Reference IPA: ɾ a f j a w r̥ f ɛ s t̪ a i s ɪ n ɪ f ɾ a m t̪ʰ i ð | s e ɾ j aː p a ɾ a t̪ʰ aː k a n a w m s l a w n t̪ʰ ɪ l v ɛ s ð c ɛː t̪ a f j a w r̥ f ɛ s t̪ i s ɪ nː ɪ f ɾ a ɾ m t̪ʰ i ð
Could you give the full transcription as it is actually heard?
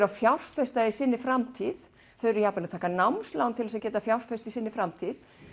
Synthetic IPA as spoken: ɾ a f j a w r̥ f ɛ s t̪ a i s ɪ nː ɪ f ɾ a m t̪ʰ i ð | θ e ɾ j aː p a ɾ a t̪ʰ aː k a n a w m s l a w n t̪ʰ ɪ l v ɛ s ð c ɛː t̪ a f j a w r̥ f ɛ s t̪ i s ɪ nː ɪ f ɾ a m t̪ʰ i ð